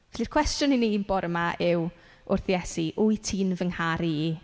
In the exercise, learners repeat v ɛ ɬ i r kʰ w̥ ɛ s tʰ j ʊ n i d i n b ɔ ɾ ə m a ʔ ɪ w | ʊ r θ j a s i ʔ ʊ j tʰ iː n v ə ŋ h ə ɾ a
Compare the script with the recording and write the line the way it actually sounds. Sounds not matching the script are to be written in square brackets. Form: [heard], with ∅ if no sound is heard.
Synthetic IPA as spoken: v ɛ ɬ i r kʰ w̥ ɛ s [t] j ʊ n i [n] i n b ɔ ɾ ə m a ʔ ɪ w | ʊ r θ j [ɛ] s i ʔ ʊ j tʰ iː n v ə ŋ h [a] ɾ [i]